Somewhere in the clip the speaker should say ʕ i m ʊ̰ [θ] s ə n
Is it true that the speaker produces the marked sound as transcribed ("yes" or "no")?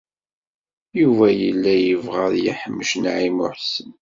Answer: no